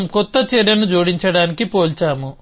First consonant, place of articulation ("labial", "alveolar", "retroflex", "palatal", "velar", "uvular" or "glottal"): labial